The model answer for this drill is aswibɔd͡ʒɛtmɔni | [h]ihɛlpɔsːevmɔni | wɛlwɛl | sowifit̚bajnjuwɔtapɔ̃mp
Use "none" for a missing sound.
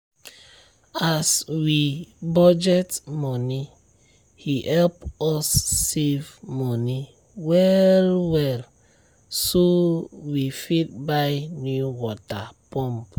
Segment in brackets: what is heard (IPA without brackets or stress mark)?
h